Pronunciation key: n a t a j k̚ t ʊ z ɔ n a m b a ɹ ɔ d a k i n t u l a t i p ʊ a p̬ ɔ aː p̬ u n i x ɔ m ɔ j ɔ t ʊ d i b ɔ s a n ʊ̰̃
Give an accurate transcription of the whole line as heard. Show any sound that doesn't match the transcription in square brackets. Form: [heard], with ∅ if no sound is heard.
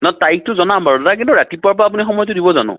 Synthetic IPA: n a t a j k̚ t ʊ z ɔ n a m b a ɹ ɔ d a k i n t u [ɹ] a t i p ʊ a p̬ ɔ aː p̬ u n i x ɔ m ɔ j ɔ t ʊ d i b ɔ [z] a n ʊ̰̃